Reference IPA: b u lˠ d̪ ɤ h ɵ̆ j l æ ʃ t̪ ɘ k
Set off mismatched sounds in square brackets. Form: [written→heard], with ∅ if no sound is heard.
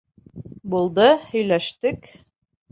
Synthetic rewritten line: b u lˠ d̪ ɤ h ɵ̆ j l æ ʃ t̪ ɘ k